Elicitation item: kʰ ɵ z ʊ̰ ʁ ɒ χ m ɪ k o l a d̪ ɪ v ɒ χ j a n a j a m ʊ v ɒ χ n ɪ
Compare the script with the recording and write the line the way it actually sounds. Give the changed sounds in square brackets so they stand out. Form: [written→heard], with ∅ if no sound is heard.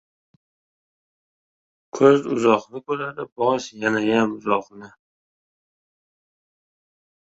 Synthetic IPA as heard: kʰ ɵ z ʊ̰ [ʁ→z] ɒ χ [m→n] ɪ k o l a d̪ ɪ [v→b] ɒ [χ→ʃ] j a n a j a m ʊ [v→z] ɒ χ n ɪ